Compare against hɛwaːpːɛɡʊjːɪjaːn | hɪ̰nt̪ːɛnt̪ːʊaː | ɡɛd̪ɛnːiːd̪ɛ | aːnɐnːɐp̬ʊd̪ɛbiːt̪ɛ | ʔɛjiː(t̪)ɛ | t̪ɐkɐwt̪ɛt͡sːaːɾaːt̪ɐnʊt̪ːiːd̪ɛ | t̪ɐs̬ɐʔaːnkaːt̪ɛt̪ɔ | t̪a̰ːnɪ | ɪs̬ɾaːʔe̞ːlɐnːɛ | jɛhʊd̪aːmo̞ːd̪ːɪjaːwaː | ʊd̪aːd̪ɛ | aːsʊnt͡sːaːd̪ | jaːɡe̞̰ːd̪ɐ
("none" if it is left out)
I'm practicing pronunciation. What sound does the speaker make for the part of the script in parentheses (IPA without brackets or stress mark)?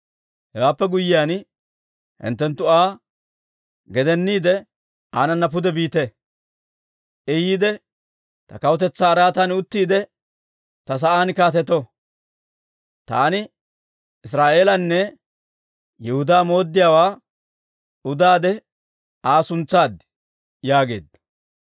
d̪